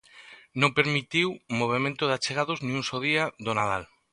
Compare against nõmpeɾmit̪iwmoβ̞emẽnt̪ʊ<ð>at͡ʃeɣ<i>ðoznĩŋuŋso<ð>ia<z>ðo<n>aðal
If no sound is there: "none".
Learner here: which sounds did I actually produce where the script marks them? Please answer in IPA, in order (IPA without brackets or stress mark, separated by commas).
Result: ð, a, ð, none, n